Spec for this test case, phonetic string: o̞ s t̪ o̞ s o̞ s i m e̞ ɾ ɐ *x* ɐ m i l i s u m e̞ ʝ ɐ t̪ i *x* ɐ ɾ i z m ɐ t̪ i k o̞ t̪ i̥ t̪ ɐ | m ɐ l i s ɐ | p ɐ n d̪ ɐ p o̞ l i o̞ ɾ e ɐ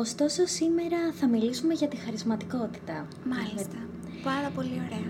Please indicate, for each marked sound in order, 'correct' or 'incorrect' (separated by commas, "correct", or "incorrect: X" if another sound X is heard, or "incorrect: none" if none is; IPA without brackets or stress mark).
incorrect: θ, correct